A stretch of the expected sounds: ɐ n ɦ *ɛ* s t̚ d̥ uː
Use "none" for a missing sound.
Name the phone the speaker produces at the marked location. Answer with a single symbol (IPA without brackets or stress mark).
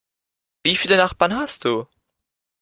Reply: a